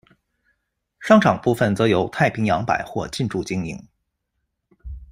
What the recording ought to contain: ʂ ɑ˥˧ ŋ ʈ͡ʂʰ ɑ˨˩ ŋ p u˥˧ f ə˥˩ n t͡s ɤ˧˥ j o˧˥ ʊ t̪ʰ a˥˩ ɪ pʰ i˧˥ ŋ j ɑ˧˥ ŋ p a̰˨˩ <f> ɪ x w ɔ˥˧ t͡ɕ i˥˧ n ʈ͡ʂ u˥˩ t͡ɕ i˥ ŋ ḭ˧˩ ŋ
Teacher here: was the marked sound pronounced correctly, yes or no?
no